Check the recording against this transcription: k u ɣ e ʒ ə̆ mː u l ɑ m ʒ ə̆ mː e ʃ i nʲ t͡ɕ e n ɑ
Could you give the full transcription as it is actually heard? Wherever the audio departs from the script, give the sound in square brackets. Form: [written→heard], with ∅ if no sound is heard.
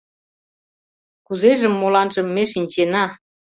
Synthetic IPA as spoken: k u [ɣ→z] e ʒ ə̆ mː [u→o] l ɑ [m→n] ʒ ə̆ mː e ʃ i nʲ t͡ɕ e n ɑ